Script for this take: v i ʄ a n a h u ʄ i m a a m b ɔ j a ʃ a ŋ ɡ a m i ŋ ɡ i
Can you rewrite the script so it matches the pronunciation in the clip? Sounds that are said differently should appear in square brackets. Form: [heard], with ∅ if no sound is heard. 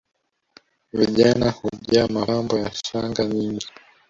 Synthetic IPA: v i ʄ a n a h u ʄ [a] m a a m b ɔ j a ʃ a ŋ ɡ a [ɲ] i ŋ ɡ i